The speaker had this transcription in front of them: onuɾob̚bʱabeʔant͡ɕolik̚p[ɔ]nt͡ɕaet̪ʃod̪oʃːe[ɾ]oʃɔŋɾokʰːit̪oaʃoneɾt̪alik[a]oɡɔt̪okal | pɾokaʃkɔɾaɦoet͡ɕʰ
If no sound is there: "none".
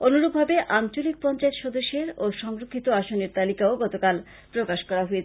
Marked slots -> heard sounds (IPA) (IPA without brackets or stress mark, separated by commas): ɔ, ɾ, a